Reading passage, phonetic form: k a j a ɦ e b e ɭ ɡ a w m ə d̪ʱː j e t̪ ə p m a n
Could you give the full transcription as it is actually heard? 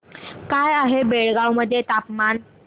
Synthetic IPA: k a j a ɦ e b e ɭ ɡ a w m ə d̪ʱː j e t̪ a p m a n